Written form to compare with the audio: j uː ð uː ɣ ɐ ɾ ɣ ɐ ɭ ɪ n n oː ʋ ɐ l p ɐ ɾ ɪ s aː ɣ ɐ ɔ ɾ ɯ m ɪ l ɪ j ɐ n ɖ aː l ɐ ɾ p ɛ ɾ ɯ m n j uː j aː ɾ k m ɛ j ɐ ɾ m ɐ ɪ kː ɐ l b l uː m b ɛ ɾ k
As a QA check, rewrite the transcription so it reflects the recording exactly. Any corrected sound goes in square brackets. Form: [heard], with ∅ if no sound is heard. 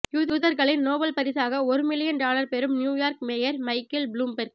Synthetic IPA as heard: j uː ð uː [ð] ɐ ɾ ɣ ɐ ɭ ɪ n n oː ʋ ɐ l p ɐ ɾ ɪ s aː ɣ ɐ ɔ ɾ ɯ m ɪ l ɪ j ɐ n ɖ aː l ɐ ɾ p ɛ ɾ ɯ m n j uː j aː ɾ k m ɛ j ɐ ɾ m ɐ ɪ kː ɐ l b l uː m b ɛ ɾ k